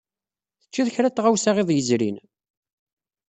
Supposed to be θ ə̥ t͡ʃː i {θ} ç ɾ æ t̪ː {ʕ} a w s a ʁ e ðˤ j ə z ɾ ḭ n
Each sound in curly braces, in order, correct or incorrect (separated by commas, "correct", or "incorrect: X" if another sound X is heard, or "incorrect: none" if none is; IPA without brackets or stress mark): incorrect: ð, incorrect: ʁ